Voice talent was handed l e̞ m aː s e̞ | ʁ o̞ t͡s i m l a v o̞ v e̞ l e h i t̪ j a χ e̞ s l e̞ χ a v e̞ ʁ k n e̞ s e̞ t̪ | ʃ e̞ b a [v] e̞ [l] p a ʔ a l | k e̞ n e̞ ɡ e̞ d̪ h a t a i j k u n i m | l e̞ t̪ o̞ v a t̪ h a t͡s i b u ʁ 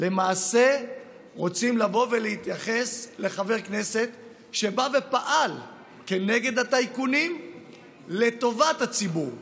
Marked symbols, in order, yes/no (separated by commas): yes, no